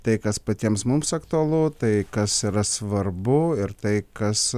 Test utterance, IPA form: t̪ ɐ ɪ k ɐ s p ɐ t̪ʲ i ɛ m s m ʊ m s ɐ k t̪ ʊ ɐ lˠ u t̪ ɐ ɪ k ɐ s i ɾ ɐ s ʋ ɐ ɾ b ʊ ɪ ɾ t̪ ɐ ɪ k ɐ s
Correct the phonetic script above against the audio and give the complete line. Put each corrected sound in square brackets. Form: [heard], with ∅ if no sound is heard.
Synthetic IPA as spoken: t̪ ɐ ɪ k ɐ s p ɐ t̪ʲ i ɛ m s m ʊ m s ɐ k t̪ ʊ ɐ lˠ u t̪ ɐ ɪ k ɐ s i ɾ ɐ s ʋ ɐ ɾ b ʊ ɪ ɾ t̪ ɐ ɪ k ɐ s

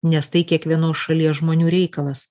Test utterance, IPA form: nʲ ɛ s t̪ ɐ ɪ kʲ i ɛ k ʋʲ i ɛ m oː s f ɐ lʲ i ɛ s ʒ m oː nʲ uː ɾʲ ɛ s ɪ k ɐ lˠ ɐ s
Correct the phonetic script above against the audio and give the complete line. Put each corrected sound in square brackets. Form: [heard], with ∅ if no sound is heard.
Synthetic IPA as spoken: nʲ ɛ s t̪ ɐ ɪ kʲ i ɛ k ʋʲ i ɛ [n] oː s [ʃ] ɐ lʲ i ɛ s ʒ m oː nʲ uː ɾʲ ɛ [∅] ɪ k ɐ lˠ ɐ s

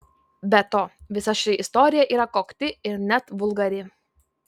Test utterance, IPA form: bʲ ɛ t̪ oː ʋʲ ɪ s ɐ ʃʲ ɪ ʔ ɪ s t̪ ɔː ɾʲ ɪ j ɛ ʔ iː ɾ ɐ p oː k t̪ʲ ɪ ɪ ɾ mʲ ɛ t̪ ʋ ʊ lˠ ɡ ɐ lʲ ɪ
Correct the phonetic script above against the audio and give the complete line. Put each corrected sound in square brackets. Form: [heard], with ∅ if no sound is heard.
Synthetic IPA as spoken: bʲ ɛ t̪ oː ʋʲ ɪ s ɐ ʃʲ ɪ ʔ ɪ s t̪ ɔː ɾʲ ɪ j ɛ ʔ iː ɾ ɐ [k] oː k t̪ʲ ɪ ɪ ɾ [nʲ] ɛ t̪ ʋ ʊ lˠ ɡ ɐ [ɾʲ] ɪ

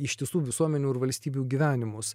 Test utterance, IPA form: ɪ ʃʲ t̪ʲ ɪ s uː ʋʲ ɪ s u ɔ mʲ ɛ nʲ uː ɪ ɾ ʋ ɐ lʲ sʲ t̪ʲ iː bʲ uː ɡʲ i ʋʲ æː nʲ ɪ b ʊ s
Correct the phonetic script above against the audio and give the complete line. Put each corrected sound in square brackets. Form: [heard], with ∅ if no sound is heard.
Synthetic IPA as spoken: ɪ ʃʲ t̪ʲ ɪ s uː ʋʲ ɪ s u ɔ mʲ ɛ nʲ uː ɪ ɾ ʋ ɐ lʲ sʲ t̪ʲ iː bʲ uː ɡʲ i ʋʲ æː nʲ ɪ [m] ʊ s

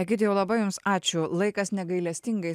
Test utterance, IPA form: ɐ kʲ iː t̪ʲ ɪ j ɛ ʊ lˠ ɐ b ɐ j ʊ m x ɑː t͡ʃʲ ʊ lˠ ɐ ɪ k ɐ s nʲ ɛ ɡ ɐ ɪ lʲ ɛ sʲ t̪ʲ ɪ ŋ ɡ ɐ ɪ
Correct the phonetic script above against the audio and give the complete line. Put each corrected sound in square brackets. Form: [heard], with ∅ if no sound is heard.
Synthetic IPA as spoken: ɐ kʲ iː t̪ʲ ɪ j ɛ ʊ lˠ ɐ b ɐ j ʊ m [s] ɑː t͡ʃʲ ʊ lˠ ɐ ɪ k ɐ s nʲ ɛ ɡ ɐ ɪ lʲ ɛ sʲ t̪ʲ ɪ ŋ ɡ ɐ ɪ

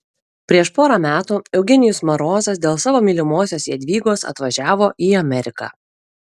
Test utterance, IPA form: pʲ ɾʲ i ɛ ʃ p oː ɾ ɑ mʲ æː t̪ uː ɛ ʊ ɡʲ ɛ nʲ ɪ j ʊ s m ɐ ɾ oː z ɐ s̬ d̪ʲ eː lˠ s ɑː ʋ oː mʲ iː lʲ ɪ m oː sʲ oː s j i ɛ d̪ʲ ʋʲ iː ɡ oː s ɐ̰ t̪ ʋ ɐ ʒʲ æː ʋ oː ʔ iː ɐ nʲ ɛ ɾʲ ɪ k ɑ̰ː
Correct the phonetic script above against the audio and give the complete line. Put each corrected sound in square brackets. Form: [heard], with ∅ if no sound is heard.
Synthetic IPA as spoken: pʲ ɾʲ i ɛ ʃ p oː ɾ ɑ mʲ æː t̪ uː ɛ ʊ ɡʲ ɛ nʲ ɪ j ʊ s m ɐ ɾ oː z ɐ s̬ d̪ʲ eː lˠ s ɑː ʋ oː mʲ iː lʲ ɪ m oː sʲ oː s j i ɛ d̪ʲ ʋʲ iː ɡ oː s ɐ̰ t̪ ʋ ɐ ʒʲ æː ʋ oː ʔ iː ɐ [mʲ] ɛ ɾʲ ɪ k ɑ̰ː

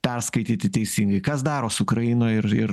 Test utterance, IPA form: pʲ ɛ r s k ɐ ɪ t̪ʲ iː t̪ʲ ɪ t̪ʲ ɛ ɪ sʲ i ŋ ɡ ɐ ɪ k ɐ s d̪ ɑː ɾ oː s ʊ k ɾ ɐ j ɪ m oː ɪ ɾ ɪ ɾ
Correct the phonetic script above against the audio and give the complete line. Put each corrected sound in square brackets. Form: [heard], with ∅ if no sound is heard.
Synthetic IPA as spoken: pʲ ɛ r s k ɐ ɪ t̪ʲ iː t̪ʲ ɪ t̪ʲ ɛ ɪ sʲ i ŋ ɡ ɐ ɪ k ɐ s d̪ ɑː ɾ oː s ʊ k ɾ ɐ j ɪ [n] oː ɪ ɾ ɪ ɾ

